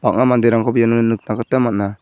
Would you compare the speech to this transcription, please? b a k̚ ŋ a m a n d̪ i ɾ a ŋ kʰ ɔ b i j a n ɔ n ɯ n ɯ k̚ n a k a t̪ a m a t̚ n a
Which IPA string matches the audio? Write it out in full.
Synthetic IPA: b a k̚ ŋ a m a n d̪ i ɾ a ŋ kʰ ɔ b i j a n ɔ n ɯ n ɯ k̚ n a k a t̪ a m a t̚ n a